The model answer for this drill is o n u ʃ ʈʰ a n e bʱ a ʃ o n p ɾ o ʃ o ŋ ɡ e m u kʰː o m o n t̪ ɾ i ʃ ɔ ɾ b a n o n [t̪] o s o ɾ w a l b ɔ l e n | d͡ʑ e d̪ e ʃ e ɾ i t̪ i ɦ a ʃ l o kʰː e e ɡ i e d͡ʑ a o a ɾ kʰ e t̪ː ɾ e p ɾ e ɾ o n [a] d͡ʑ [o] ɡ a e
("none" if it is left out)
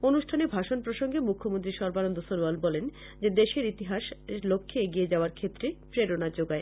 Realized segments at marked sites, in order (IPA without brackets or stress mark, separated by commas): d̪, a, o